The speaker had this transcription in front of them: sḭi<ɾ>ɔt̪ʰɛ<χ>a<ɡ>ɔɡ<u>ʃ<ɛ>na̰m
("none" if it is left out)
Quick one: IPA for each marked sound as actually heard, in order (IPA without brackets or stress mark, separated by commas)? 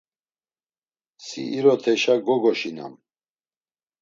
ɾ, ʃ, ɡ, ɔ, i